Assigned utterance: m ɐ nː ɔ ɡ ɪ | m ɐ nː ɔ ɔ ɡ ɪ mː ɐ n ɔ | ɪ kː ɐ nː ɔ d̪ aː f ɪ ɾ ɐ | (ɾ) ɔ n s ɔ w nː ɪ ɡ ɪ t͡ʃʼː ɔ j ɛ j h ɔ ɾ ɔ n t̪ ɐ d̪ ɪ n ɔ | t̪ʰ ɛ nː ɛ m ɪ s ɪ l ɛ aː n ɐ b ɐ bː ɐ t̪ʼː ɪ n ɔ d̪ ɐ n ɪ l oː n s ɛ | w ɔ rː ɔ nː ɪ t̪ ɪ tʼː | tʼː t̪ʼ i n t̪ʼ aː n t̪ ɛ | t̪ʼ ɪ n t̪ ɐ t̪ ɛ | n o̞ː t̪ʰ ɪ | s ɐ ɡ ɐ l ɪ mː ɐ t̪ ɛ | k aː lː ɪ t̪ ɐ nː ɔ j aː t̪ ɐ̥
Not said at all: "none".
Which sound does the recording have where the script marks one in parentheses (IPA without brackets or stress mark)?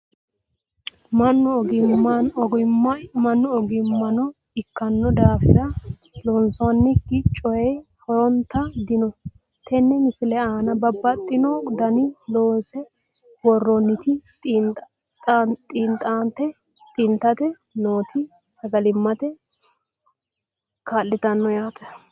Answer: l